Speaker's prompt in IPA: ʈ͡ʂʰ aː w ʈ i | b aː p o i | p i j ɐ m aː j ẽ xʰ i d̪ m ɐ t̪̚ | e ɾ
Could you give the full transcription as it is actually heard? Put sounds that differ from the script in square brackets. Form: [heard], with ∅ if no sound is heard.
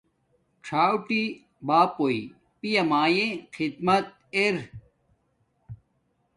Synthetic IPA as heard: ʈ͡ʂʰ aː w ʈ i | b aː p o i | p i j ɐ m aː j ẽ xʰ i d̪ m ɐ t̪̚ | e ɾ